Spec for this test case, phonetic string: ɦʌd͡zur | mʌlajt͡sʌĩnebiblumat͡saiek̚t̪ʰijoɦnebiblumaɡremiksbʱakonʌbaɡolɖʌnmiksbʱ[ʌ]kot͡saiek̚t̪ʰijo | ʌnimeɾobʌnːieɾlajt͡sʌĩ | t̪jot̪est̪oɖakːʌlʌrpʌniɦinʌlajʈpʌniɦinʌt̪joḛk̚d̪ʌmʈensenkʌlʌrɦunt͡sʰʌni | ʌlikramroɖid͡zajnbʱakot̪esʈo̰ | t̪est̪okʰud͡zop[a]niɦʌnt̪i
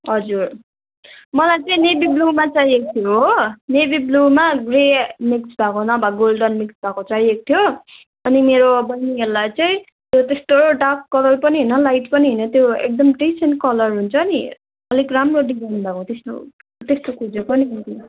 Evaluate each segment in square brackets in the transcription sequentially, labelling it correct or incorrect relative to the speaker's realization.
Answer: incorrect: a, incorrect: ʌ

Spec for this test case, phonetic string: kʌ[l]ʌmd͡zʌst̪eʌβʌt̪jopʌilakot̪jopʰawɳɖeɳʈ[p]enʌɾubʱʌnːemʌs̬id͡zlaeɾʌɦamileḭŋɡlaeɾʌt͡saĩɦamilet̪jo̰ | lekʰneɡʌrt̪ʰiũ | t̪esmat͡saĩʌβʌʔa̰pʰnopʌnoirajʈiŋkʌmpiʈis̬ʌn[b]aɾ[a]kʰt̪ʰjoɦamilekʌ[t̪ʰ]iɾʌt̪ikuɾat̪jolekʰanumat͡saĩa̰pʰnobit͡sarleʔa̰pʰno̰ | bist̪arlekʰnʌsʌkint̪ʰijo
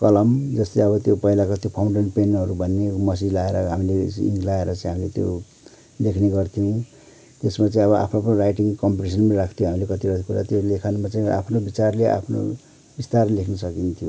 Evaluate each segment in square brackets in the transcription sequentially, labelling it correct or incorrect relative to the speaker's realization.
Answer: correct, correct, incorrect: m, correct, incorrect: t̪

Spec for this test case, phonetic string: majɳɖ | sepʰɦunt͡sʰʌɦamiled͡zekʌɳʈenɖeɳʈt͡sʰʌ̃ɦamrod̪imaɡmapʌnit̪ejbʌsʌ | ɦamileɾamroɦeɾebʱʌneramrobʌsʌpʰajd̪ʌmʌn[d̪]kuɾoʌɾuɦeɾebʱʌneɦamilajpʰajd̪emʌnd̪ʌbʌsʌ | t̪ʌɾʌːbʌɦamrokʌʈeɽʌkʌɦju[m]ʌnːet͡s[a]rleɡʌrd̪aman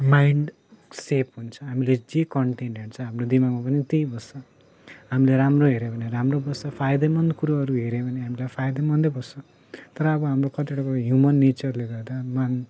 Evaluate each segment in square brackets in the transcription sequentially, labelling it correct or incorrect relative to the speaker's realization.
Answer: correct, correct, incorrect: ʌ

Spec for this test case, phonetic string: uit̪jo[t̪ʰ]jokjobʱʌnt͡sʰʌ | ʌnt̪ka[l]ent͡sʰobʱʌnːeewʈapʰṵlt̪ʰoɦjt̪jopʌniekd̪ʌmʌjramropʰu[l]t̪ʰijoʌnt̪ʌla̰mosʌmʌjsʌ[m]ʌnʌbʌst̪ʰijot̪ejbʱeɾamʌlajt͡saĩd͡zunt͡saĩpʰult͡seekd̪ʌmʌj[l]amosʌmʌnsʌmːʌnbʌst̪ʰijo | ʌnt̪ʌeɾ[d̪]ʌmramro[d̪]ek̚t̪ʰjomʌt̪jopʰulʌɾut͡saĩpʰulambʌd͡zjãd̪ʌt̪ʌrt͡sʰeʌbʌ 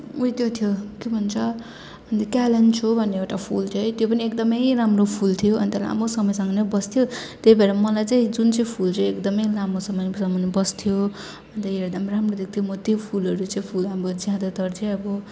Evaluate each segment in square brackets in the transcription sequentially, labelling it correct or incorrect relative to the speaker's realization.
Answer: correct, correct, correct, incorrect: ŋ, correct, correct, correct

